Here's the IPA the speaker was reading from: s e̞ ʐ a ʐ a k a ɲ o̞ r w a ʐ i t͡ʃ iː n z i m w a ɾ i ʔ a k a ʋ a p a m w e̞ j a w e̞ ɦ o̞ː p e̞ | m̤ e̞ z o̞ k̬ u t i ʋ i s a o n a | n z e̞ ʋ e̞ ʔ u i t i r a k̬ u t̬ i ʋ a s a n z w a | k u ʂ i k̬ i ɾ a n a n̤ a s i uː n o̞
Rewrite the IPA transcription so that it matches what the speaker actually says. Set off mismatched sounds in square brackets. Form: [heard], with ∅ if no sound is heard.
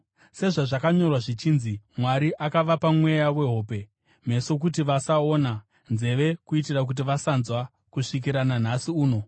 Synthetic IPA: s e̞ ʐ a ʐ a k a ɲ o̞ r w a ʐ i t͡ʃ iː n z i m w a ɾ i ʔ a k a ʋ a p a m w e̞ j a w e̞ ɦ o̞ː p e̞ | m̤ e̞ [s] o̞ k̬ u t i ʋ [a] s a o n a | n z e̞ ʋ e̞ [k] u i t i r a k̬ u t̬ i ʋ a s a n z w a | k u ʂ i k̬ i ɾ a n a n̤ a s i uː n o̞